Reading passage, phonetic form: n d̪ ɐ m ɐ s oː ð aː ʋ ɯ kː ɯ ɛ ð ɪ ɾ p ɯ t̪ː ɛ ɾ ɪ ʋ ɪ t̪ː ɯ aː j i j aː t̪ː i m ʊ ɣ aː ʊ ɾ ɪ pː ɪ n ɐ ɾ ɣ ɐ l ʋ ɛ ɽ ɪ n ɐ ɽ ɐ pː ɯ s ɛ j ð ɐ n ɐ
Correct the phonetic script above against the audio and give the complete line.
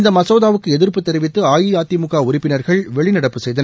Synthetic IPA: n d̪ ɐ m ɐ s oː ð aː ʋ ɯ kː ɯ ɛ ð ɪ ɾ p ɯ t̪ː ɛ ɾ ɪ ʋ ɪ t̪ː ɯ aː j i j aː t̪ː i m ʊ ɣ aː ʊ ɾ ɪ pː ɪ n ɐ ɾ ɣ ɐ ɭ ʋ ɛ ɭ ɪ n ɐ ɽ ɐ pː ɯ s ɛ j ð ɐ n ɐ